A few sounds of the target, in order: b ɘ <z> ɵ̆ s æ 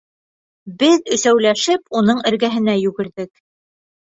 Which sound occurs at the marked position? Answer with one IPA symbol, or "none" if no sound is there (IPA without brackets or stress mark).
ð